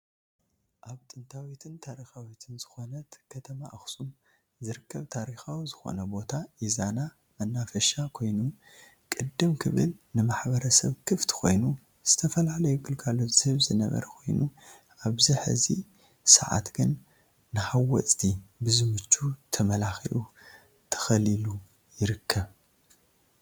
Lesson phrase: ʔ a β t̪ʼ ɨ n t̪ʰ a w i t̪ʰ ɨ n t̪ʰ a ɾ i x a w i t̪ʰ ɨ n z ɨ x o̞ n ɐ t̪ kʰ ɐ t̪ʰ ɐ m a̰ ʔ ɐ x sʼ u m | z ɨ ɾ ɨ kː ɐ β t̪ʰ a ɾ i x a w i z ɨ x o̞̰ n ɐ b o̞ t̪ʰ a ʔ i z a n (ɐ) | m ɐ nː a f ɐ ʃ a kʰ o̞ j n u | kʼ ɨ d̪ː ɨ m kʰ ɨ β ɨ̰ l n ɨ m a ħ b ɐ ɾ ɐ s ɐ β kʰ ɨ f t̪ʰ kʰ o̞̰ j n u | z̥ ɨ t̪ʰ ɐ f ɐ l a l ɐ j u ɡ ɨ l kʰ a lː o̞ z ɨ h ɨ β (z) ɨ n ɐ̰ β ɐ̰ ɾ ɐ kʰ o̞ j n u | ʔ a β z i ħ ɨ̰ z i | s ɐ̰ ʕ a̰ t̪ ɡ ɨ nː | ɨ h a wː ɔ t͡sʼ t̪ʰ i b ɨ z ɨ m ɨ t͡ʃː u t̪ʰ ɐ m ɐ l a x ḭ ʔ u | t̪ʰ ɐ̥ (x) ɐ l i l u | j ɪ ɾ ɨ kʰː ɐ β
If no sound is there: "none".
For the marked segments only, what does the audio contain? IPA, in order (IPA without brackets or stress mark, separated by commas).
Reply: a, z, x